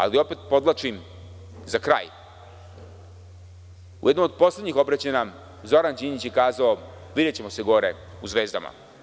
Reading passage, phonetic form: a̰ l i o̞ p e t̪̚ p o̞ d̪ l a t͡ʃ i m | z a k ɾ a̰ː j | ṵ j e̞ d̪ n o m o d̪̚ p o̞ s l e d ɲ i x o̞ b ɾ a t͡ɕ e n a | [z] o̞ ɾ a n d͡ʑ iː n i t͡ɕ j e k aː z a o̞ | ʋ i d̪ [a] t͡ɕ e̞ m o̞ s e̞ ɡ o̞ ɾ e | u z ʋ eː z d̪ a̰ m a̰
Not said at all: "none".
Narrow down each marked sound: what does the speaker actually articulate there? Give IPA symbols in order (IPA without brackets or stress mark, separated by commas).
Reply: z, e